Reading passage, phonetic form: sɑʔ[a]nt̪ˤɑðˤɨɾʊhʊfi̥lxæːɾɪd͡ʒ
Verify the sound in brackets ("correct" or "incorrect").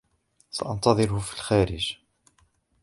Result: incorrect